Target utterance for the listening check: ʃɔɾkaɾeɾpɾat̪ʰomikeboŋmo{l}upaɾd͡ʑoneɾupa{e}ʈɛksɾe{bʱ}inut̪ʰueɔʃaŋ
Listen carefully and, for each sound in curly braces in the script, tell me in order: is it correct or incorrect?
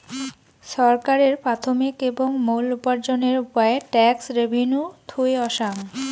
correct, correct, correct

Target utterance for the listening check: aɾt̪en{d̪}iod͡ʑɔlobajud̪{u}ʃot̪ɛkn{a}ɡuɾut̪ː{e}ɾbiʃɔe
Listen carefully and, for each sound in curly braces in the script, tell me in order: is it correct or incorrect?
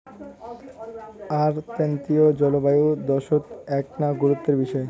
incorrect: t̪, incorrect: ɔ, correct, correct

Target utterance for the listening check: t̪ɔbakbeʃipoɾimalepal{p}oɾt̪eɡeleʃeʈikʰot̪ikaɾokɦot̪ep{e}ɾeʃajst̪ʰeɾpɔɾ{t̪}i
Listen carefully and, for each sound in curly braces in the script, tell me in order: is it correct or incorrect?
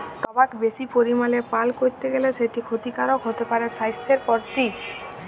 incorrect: k, incorrect: a, correct

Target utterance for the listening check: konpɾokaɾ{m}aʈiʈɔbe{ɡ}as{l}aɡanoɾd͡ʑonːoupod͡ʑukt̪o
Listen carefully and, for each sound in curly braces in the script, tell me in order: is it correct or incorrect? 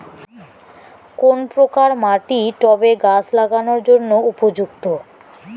correct, correct, correct

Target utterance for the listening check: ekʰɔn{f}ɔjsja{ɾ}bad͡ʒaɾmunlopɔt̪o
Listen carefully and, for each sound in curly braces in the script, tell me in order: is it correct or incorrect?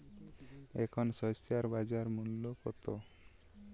incorrect: s, correct

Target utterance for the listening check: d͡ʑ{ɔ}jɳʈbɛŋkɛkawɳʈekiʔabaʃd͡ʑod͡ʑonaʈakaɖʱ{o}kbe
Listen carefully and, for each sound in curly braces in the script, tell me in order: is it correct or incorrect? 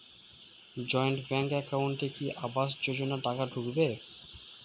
correct, incorrect: u

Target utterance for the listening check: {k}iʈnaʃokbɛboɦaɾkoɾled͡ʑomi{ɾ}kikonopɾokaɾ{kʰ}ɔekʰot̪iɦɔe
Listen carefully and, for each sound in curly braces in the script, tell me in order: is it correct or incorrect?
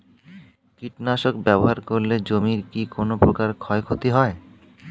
correct, correct, correct

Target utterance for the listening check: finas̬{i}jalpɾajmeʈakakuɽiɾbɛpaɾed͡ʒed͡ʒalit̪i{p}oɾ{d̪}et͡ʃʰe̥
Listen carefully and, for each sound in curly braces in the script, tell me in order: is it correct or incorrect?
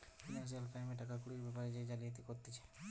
correct, incorrect: k, incorrect: t̪

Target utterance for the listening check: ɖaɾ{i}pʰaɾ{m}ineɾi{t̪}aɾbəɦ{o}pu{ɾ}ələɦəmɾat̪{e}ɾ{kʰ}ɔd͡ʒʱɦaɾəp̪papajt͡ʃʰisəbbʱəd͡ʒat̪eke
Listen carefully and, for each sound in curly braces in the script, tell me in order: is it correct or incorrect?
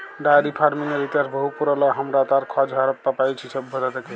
correct, correct, correct, incorrect: u, correct, incorrect: a, correct

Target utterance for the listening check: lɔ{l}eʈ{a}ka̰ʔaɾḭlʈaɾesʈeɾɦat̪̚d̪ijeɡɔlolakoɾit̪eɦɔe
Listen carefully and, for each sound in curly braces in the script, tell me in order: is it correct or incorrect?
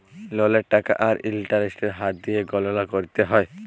correct, correct

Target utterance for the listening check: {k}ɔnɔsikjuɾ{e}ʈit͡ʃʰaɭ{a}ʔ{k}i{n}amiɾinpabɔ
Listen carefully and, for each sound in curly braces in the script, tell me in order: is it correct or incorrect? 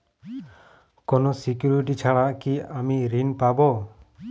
correct, incorrect: i, correct, correct, incorrect: none

